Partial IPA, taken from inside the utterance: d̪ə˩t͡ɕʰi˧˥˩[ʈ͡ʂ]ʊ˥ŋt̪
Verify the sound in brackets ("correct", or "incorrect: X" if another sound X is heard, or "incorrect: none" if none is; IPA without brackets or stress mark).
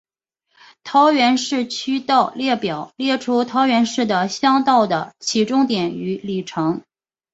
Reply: correct